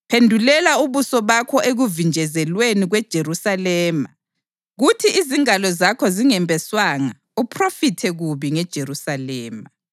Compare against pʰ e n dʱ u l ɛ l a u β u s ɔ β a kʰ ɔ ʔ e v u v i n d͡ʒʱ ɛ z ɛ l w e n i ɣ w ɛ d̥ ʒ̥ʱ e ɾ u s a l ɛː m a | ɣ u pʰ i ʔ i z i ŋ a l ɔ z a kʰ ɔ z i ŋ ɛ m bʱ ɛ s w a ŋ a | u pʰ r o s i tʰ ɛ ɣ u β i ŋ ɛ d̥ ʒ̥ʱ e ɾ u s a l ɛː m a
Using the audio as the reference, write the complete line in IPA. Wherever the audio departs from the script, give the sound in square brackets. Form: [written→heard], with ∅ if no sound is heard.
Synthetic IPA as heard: pʰ e n dʱ u l ɛ l a u β u s ɔ β a kʰ ɔ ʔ e [v→ɣ] u v i n d͡ʒʱ ɛ z ɛ l w e n i ɣ w ɛ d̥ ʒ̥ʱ e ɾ u s a l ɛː m a | ɣ u [pʰ→tʰ] i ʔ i z i ŋ a l ɔ z a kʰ ɔ z i ŋ ɛ m bʱ ɛ s w a ŋ a | u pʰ r o [s→f] i tʰ ɛ ɣ u β i ŋ ɛ d̥ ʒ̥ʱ e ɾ u s a l ɛː m a